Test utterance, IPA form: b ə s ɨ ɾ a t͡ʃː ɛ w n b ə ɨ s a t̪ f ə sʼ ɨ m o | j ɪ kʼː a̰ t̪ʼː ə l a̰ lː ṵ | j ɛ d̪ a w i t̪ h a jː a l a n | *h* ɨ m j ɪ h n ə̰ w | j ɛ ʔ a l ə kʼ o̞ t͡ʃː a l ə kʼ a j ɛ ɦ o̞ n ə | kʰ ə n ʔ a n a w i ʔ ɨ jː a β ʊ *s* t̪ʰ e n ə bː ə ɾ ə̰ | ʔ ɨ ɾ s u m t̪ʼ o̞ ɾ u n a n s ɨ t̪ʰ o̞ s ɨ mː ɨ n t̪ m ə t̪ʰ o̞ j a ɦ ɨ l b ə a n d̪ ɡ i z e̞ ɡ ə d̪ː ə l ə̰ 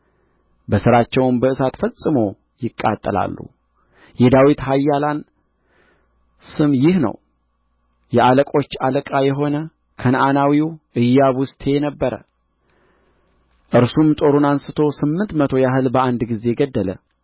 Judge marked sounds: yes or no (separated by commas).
no, yes